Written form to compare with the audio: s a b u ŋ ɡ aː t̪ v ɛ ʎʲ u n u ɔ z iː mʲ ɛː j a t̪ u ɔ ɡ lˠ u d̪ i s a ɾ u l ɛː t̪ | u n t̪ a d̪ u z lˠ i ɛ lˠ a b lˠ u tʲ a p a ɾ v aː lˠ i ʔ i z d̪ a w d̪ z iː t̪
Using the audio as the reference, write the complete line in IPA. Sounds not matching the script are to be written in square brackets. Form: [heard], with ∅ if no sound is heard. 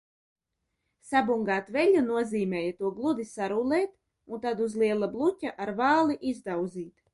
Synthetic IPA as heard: s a b u ŋ ɡ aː t̪ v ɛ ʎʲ u n u ɔ z iː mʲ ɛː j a t̪ u ɔ ɡ lˠ u d̪ i s a ɾ u l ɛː t̪ | u n t̪ a d̪ u z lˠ i ɛ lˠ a b lˠ u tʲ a [ʔ] a ɾ v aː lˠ i ʔ i z d̪ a w d̪ z iː t̪